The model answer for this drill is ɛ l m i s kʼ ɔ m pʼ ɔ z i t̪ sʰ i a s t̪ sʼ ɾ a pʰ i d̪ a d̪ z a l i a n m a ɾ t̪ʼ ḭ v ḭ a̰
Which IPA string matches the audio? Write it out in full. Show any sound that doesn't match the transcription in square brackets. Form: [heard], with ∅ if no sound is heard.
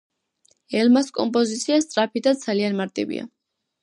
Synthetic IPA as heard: ɛ l m [a] s kʼ ɔ m pʼ ɔ z i t̪ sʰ i a s t̪ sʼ ɾ a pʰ i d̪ a d̪ z a l i a n m a ɾ t̪ʼ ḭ v ḭ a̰